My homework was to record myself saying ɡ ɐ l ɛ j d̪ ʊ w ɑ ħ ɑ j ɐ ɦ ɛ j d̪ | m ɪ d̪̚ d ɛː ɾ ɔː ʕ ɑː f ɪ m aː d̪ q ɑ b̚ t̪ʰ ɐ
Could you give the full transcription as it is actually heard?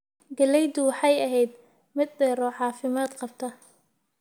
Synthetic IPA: ɡ ɐ l ɛ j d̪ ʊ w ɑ ħ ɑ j ɐ ɦ ɛ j d̪ | m ɪ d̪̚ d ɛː ɾ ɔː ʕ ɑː f ɪ m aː d̪ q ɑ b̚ t̪ʰ ɐ